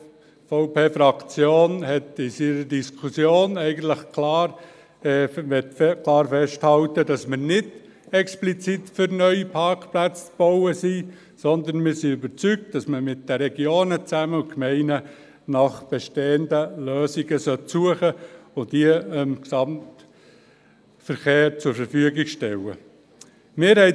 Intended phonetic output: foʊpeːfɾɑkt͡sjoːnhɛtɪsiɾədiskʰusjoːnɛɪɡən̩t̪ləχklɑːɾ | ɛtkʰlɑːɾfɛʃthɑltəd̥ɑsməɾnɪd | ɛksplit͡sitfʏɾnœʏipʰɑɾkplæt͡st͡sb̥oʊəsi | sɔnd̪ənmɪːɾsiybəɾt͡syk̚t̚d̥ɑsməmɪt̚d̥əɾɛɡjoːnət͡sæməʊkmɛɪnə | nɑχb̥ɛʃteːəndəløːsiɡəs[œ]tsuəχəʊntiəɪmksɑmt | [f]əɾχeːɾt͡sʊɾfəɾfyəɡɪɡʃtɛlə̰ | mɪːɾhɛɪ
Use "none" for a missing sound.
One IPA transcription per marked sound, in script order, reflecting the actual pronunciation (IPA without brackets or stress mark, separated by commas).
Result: œ, f